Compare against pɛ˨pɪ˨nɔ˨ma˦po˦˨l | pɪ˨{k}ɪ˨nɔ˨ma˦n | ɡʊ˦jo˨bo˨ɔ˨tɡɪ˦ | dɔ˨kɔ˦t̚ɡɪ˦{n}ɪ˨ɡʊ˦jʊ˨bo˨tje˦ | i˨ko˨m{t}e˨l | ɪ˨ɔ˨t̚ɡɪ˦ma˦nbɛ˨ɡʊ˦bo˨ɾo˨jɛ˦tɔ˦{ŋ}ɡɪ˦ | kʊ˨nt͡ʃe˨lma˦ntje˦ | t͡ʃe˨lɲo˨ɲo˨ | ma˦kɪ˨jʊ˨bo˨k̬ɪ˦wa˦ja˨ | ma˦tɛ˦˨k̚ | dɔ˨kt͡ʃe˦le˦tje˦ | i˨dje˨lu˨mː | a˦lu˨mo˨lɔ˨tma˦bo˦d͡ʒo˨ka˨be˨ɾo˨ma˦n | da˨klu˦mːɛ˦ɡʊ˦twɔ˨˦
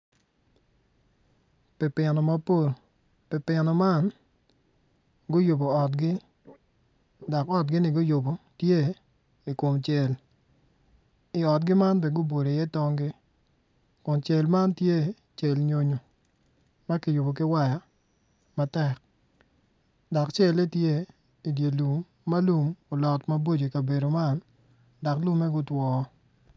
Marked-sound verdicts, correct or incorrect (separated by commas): incorrect, correct, incorrect, correct